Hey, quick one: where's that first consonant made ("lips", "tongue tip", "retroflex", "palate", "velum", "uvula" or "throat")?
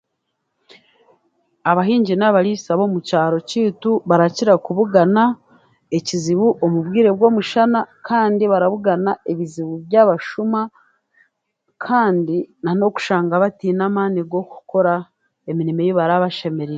lips